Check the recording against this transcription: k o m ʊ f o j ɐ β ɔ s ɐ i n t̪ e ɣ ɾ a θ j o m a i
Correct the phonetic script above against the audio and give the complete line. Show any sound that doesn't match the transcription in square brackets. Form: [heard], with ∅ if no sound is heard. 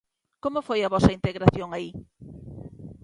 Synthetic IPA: k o m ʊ f o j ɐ β ɔ s ɐ i n t̪ e ɣ ɾ a θ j o [ŋ] a i